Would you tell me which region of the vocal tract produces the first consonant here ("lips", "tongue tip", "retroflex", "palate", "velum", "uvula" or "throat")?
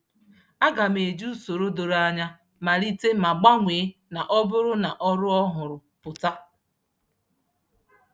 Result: velum